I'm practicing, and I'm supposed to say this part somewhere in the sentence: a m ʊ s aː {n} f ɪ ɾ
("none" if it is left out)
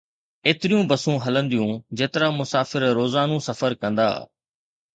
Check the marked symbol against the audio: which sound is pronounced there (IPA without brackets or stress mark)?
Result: none